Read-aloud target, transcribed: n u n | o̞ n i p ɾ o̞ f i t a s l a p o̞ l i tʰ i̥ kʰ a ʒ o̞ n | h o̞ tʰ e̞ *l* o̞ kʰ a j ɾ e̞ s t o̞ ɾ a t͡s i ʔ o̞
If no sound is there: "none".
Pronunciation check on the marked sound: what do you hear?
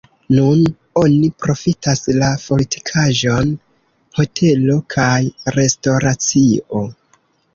l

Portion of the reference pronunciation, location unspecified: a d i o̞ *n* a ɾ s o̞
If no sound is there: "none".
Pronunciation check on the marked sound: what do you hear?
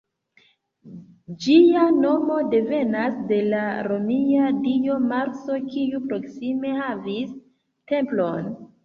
m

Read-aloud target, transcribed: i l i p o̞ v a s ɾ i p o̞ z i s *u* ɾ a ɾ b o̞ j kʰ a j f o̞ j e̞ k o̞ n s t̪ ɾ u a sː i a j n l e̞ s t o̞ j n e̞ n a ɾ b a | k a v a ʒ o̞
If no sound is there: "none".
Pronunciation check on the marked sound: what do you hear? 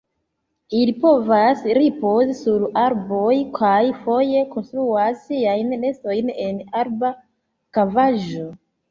u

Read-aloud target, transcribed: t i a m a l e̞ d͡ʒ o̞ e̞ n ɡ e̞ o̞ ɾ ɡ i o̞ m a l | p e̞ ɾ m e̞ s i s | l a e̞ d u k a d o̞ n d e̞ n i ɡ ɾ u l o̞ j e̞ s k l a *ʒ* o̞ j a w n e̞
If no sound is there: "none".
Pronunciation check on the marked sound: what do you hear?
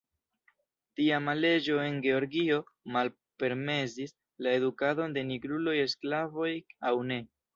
v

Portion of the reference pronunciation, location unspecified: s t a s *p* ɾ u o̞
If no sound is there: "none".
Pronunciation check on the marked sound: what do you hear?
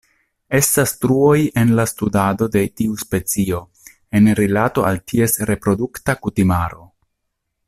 t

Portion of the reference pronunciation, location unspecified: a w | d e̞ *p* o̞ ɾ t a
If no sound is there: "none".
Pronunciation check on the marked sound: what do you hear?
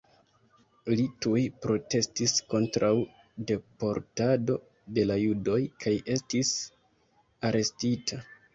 p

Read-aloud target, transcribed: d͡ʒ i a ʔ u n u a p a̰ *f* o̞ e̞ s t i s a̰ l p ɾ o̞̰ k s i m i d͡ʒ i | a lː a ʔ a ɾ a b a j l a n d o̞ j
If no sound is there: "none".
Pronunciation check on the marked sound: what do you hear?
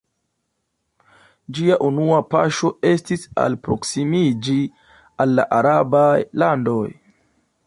ʃ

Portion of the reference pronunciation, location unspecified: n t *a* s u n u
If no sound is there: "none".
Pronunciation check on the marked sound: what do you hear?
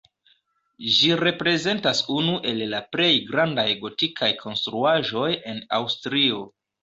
a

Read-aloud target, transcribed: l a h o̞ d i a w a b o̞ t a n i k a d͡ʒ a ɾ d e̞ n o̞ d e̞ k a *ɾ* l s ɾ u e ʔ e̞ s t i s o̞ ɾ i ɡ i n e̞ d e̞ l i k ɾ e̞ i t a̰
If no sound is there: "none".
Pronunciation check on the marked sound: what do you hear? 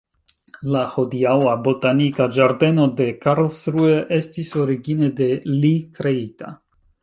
ɾ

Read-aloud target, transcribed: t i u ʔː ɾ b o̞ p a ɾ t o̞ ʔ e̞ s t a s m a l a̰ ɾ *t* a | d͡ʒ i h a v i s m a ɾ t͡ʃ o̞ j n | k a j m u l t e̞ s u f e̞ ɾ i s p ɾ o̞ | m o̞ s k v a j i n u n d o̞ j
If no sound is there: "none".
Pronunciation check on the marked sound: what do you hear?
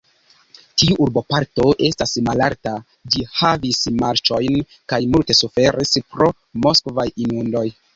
t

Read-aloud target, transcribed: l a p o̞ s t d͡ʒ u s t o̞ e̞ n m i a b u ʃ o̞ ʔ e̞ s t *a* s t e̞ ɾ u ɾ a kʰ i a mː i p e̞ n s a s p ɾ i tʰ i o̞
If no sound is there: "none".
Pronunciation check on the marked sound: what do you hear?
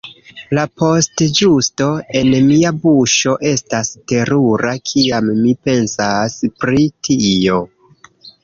a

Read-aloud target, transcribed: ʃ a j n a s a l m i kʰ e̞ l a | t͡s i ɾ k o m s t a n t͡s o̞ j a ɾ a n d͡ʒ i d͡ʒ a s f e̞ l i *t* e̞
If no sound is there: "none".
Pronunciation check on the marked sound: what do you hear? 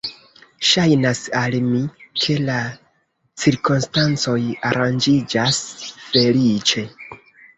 t͡ʃ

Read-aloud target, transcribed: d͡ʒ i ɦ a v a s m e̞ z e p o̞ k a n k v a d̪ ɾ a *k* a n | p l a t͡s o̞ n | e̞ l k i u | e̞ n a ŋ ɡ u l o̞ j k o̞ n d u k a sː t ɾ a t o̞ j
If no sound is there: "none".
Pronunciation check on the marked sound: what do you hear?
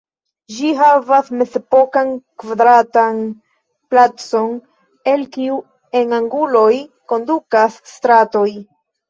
t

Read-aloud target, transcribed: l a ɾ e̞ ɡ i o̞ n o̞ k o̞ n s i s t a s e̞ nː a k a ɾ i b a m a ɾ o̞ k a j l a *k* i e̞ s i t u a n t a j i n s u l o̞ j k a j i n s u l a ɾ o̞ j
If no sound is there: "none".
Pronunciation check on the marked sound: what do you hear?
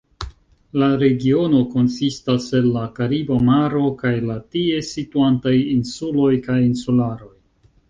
t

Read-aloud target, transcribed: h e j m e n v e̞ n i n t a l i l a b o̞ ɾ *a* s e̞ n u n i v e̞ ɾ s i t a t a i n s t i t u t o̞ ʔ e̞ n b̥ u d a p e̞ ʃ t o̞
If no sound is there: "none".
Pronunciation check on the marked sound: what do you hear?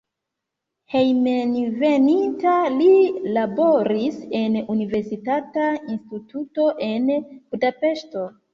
i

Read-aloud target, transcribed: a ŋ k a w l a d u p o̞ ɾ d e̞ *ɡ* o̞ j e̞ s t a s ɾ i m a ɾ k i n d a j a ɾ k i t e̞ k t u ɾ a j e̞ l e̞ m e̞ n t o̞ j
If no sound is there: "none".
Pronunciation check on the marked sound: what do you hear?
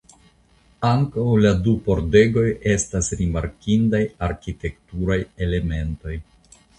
ɡ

